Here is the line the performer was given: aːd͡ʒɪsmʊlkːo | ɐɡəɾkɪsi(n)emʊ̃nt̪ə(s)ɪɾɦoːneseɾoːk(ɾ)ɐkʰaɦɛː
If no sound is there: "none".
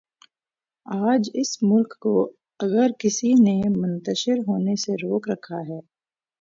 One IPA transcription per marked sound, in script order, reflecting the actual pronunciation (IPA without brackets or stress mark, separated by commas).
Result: n, ʃ, ɾ